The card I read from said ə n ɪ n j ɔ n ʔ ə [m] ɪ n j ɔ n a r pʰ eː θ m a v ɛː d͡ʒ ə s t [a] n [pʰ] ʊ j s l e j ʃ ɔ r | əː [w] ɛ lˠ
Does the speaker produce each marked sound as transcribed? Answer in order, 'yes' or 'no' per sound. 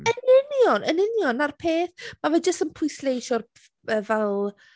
no, no, yes, no

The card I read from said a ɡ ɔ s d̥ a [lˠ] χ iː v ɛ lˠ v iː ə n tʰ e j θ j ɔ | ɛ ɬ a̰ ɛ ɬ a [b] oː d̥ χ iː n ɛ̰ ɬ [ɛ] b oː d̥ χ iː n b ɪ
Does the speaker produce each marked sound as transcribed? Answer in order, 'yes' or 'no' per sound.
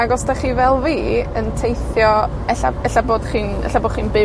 no, yes, no

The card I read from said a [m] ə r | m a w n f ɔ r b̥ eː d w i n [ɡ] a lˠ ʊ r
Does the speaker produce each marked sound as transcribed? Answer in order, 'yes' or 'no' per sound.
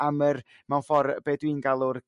yes, yes

